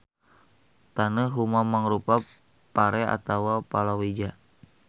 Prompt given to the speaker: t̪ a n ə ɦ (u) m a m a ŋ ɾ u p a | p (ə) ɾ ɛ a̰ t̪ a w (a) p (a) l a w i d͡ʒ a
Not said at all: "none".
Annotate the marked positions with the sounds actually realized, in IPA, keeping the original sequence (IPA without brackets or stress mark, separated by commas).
u, a, a, a